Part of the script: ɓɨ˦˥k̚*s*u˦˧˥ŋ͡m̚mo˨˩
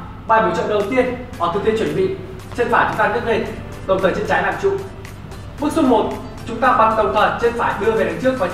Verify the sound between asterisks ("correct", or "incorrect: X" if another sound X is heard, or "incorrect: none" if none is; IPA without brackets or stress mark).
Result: correct